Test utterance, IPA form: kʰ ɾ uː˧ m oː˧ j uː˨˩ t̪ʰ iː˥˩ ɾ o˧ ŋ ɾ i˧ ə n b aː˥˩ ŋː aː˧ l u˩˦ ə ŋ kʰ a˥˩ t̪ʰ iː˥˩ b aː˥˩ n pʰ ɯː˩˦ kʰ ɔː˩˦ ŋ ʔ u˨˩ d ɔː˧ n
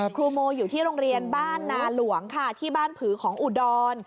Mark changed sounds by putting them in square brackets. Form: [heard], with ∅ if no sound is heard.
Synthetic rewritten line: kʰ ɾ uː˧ m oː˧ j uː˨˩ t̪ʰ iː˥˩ ɾ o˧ ŋ ɾ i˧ ə n b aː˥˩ [nː] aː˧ l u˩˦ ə ŋ kʰ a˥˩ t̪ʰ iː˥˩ b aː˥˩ n pʰ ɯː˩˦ kʰ ɔː˩˦ ŋ ʔ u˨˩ d ɔː˧ n